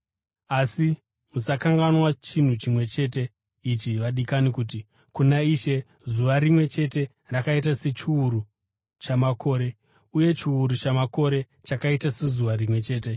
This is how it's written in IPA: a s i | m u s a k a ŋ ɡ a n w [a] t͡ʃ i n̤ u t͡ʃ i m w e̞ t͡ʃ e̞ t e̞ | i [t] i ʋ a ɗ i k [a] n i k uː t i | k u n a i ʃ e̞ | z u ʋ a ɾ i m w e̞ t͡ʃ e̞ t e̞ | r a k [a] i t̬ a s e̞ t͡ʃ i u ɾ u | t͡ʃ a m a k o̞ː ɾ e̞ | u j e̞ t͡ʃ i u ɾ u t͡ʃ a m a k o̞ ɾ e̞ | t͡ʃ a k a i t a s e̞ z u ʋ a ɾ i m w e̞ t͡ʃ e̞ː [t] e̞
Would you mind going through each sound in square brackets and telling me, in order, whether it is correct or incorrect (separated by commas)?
correct, incorrect, correct, correct, correct